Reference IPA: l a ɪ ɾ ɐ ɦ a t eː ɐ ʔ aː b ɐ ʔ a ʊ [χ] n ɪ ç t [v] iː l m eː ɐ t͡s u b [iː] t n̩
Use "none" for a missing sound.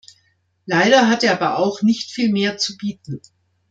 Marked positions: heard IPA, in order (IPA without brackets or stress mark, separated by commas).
x, f, iː